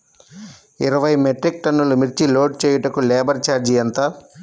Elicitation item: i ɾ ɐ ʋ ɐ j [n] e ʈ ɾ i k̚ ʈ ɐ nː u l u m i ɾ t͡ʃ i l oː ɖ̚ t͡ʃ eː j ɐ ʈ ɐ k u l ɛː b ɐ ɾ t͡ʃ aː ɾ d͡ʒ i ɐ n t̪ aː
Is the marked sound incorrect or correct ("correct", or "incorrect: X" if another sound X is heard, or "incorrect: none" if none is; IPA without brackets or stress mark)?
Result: incorrect: m